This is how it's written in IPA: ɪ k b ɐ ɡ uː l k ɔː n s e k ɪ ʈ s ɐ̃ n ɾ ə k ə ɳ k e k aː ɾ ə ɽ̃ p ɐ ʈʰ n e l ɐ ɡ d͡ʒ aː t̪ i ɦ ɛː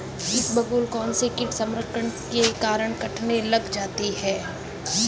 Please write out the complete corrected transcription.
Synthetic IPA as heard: ɪ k b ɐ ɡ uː l k ɔː n s e k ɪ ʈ s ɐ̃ m ɾ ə k ə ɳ k e k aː ɾ ə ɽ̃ k ɐ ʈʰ n e l ɐ ɡ d͡ʒ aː t̪ i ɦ ɛː